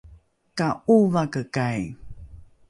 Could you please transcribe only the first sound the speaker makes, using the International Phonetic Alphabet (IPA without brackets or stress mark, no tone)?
k